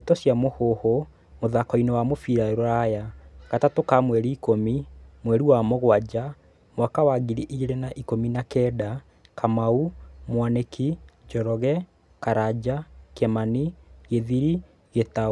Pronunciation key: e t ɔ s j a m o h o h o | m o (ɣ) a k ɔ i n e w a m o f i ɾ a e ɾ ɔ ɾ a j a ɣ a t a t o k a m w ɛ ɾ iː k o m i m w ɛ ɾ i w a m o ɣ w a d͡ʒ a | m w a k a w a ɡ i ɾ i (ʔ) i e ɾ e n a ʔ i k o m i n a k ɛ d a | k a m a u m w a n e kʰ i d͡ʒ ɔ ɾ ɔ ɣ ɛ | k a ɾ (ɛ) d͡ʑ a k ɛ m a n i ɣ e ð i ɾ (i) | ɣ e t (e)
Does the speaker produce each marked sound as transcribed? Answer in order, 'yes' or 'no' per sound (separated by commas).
no, yes, no, yes, no